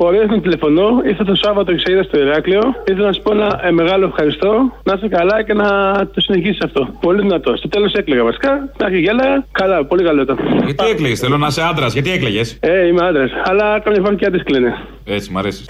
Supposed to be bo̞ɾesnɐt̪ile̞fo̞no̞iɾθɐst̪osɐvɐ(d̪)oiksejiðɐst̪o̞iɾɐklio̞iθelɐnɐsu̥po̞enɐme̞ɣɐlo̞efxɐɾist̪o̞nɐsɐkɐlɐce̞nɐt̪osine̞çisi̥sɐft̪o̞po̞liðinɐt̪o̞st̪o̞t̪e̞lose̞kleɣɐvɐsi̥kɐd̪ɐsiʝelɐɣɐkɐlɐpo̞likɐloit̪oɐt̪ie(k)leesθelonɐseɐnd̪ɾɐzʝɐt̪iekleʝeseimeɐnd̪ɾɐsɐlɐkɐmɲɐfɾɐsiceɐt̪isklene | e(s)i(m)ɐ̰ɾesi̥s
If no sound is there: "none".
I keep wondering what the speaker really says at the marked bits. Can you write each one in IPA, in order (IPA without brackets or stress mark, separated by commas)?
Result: t̪, k, t͡s, m